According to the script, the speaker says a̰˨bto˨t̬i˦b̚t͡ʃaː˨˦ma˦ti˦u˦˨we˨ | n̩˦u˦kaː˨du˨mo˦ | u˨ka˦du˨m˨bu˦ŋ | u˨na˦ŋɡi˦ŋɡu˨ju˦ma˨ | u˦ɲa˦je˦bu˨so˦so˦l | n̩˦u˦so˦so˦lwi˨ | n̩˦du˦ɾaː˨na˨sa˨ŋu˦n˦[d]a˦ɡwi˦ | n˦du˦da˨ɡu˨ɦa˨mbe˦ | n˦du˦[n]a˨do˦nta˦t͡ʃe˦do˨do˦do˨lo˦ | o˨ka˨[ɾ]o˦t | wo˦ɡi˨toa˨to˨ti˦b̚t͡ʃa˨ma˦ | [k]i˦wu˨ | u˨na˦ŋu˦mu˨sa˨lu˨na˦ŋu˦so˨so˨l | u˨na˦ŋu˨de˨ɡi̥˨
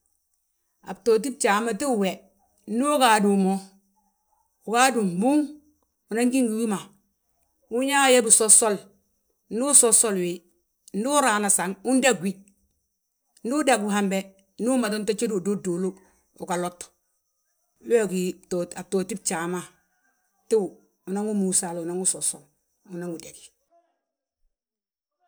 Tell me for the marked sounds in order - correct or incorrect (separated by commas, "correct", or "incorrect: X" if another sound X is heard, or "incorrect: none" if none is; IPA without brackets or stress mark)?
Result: correct, incorrect: m, incorrect: l, incorrect: t